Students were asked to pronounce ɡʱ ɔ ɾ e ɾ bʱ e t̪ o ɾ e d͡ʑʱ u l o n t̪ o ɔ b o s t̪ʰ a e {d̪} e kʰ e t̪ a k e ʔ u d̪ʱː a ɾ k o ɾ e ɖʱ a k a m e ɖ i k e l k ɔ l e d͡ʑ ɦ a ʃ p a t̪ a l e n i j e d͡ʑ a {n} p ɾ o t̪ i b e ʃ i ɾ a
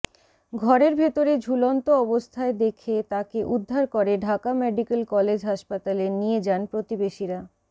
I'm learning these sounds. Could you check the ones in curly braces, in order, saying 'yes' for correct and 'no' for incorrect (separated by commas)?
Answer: yes, yes